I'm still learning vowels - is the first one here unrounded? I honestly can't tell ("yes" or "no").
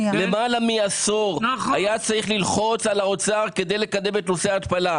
yes